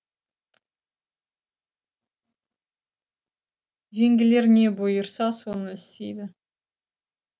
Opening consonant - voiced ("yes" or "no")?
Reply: yes